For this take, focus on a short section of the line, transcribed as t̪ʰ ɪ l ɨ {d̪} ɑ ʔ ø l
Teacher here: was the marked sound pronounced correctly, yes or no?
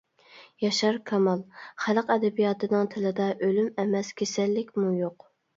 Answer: yes